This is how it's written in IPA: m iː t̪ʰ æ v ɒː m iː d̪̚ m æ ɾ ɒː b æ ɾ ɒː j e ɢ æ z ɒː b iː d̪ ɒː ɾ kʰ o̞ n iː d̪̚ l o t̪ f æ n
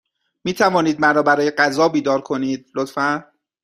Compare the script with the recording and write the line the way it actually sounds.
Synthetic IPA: m iː t̪ʰ æ v ɒː n iː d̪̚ m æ ɾ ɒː b æ ɾ ɒː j e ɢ æ z ɒː b iː d̪ ɒː ɾ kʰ o̞ n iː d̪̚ l o t̪ f æ n